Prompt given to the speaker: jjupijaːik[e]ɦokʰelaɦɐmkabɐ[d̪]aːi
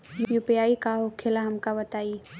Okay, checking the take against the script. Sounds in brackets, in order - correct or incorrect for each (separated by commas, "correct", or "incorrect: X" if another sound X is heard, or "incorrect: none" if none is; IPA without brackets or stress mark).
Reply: incorrect: a, incorrect: t̪